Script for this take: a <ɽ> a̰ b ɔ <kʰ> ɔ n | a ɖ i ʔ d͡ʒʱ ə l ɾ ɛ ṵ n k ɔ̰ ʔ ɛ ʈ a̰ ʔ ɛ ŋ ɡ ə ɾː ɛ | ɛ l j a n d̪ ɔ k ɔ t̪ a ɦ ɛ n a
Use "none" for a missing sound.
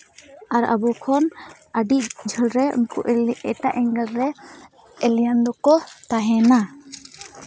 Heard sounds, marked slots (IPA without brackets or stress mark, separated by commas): ɾ, kʰ